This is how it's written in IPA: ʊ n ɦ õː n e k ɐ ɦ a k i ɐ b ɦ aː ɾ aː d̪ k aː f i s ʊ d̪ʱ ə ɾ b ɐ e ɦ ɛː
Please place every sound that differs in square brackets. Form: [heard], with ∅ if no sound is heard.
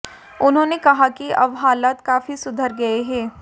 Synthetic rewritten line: ʊ n ɦ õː n e k ɐ ɦ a k i ɐ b ɦ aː [l] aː [t̪] k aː f i s ʊ d̪ʱ ə ɾ [ɡ] ɐ e ɦ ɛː